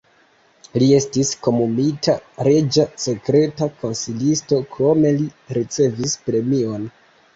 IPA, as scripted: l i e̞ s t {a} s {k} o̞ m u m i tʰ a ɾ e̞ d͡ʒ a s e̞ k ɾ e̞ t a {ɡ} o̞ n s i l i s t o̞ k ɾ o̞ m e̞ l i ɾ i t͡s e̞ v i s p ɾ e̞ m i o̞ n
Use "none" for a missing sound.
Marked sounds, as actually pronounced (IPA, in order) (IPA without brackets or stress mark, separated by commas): i, k, k